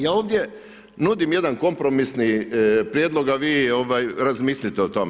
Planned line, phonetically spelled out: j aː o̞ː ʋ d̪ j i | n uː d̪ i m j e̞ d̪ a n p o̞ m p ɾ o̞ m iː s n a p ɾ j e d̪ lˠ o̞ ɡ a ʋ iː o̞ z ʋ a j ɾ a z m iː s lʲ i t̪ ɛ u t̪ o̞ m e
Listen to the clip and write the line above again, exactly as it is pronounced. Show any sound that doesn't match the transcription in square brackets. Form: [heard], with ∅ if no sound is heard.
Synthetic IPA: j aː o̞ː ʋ d̪ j [e] | n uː d̪ i m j e̞ d̪ a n [k] o̞ m p ɾ o̞ m [i] s n [i] p ɾ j e d̪ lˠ o̞ ɡ a ʋ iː o̞ [∅] ʋ a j ɾ a z m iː s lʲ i t̪ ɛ [o] t̪ o̞ m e